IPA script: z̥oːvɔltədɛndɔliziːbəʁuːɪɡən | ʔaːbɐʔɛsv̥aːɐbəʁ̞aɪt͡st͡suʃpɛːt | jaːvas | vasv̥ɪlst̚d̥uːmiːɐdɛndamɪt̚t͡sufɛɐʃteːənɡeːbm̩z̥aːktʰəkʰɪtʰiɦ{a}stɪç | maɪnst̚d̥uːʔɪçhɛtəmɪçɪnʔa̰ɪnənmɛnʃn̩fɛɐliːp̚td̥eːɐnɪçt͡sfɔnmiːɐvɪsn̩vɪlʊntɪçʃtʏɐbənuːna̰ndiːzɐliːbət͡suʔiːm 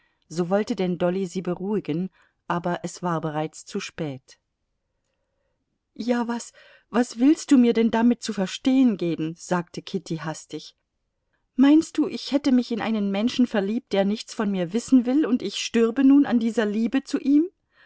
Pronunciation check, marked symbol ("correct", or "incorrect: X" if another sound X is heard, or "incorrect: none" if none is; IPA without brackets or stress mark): correct